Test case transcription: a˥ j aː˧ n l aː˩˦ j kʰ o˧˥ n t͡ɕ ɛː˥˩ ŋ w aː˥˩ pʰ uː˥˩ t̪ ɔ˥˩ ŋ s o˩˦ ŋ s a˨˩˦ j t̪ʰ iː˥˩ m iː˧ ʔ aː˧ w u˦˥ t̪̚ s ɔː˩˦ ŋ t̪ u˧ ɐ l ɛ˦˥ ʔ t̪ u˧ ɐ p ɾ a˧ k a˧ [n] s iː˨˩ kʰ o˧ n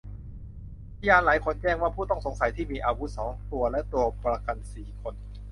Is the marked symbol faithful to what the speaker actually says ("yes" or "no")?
yes